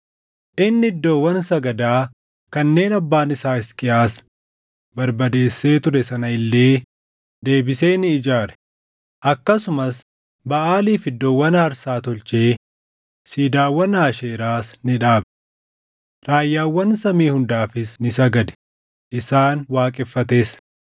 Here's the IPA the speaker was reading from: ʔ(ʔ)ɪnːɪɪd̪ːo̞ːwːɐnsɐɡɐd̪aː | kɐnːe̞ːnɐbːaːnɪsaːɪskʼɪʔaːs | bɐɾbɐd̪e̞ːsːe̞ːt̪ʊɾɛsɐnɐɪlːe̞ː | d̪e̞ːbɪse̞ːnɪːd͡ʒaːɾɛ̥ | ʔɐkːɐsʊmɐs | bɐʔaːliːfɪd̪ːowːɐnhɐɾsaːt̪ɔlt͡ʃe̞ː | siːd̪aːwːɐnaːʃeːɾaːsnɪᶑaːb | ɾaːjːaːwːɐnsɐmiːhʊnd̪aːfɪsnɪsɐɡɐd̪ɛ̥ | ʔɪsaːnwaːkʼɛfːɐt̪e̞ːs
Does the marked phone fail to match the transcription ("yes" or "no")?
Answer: no